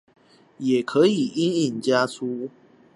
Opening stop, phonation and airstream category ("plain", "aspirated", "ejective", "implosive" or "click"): aspirated